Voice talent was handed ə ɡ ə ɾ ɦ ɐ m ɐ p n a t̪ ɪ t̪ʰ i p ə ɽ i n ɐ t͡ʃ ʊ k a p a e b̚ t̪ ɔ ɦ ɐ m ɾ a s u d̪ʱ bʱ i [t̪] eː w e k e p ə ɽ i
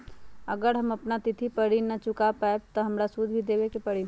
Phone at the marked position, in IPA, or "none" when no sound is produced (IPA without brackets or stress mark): d̪